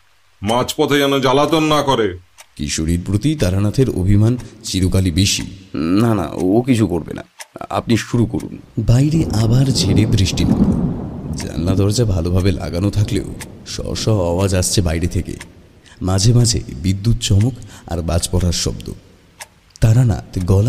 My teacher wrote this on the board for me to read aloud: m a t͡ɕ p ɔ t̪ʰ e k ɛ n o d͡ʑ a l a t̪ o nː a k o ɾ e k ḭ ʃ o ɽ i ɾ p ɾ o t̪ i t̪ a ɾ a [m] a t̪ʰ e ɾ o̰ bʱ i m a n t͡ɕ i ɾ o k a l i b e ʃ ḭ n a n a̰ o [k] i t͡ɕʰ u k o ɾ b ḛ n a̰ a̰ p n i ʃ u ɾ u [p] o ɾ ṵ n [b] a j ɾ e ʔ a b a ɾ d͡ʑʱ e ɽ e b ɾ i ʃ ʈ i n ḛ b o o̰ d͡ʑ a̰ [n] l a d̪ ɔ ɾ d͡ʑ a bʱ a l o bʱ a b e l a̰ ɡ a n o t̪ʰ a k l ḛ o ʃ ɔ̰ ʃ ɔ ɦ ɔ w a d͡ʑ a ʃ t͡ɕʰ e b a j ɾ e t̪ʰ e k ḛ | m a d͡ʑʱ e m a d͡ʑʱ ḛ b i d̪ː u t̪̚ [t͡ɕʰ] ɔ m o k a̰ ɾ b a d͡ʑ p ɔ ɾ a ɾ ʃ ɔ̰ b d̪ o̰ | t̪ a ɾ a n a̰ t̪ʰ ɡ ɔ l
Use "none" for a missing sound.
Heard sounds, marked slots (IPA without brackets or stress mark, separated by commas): n, k, k, b, n, t͡ɕ